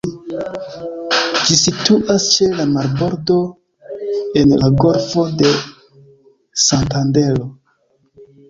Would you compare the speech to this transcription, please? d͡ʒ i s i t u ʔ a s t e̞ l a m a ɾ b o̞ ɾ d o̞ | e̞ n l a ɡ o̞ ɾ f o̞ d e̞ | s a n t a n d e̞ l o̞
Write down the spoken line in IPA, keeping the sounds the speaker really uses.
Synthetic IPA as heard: d͡ʒ i s i t u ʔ a s t͡ʃ e̞ l a m a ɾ b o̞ ɾ d o̞ | e̞ n l a ɡ o̞ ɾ f o̞ d e̞ | s a n t a n d e̞ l o̞

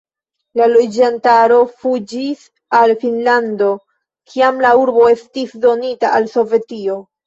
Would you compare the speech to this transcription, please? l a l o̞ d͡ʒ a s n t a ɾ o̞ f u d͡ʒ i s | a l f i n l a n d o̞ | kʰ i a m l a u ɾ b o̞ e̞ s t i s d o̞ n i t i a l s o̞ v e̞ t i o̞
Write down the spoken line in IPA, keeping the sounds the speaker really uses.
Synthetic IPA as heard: l a l o̞ d͡ʒ a n t a ɾ o̞ f u d͡ʒ i s | a l f i n l a n d o̞ | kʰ i a m l a u ɾ b o̞ e̞ s t i s d o̞ n i t a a l s o̞ v e̞ t i o̞

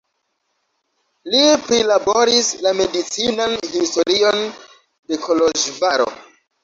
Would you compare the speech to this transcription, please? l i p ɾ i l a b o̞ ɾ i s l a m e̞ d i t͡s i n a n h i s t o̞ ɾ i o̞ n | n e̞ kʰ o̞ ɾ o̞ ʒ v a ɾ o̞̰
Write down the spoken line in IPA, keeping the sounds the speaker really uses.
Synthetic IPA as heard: l i p ɾ i l a b o̞ ɾ i s l a m e̞ d i t͡s i n a n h i s t o̞ ɾ i o̞ n | d e̞ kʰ o̞ l o̞ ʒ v a ɾ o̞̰

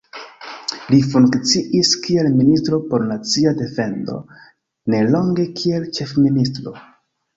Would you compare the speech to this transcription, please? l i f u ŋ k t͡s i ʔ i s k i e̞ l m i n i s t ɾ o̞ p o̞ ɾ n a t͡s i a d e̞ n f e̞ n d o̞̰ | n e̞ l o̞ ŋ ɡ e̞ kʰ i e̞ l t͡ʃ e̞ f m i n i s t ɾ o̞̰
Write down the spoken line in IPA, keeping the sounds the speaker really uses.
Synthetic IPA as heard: l i f u ŋ k t͡s i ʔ i s k i e̞ l m i n i s t ɾ o̞ p o̞ ɾ n a t͡s i a d e̞ f e̞ n d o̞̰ | n e̞ l o̞ ŋ ɡ e̞ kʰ i e̞ l t͡ʃ e̞ f m i n i s t ɾ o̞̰

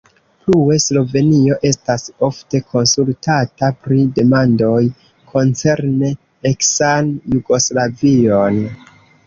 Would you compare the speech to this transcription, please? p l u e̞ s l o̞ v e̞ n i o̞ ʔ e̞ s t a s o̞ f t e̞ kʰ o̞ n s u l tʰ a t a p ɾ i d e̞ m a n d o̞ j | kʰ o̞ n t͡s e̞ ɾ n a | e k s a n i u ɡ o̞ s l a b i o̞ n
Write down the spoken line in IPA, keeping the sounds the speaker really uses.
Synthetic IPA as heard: p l u e̞ s l o̞ v e̞ n i o̞ ʔ e̞ s t a s o̞ f t e̞ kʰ o̞ n s u l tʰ a t a p ɾ i d e̞ m a n d o̞ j | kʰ o̞ n t͡s e̞ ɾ n e | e k s a n j u ɡ o̞ s l a v i o̞ n

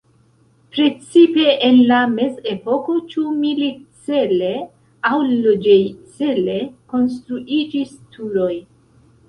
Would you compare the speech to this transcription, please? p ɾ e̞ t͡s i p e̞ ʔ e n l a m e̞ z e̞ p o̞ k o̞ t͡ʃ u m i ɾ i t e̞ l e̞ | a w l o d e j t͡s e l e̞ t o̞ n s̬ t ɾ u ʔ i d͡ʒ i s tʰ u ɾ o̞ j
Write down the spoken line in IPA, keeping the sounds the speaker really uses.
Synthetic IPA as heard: p ɾ e̞ t͡s i p e̞ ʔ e n l a m e̞ z e̞ p o̞ k o̞ t͡ʃ u m i l i t͡s e̞ l e̞ | a w l o d͡ʒ e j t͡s e l e̞ k o̞ n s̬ t ɾ u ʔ i d͡ʒ i s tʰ u ɾ o̞ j

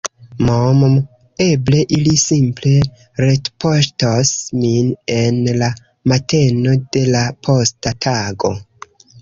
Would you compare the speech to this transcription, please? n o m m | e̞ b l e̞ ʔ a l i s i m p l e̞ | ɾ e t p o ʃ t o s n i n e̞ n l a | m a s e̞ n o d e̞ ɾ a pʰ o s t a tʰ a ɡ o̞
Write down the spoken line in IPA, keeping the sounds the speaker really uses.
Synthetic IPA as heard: m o m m | e̞ b l e̞ ʔ i l i s i m p l e̞ | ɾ e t p o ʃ t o s m i n e̞ n l a | m a t e̞ n o d e̞ l a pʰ o s t a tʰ a ɡ o̞

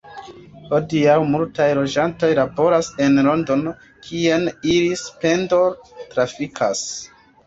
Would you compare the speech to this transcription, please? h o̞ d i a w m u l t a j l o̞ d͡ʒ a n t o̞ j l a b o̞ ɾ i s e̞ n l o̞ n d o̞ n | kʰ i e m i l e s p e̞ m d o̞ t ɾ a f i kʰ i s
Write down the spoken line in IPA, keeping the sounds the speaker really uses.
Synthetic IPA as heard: h o̞ d i a w m u l t a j l o̞ d͡ʒ a n t o̞ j l a b o̞ ɾ a s e̞ n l o̞ n d o̞ n | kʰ i e n i l i s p e̞ n d o̞ t ɾ a f i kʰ a s

